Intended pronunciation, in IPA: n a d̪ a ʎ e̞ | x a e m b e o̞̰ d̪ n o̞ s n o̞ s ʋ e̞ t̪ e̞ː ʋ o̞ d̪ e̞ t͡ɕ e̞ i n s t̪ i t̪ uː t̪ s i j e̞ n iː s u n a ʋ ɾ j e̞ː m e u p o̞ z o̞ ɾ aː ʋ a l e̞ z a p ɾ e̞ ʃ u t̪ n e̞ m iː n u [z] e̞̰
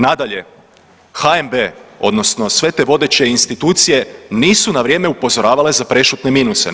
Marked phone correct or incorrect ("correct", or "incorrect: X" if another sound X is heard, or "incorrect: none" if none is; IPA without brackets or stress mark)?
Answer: incorrect: s